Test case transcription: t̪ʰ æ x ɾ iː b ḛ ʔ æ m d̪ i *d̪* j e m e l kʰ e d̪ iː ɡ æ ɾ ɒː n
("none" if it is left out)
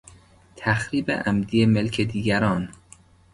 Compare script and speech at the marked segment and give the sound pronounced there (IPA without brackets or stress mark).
none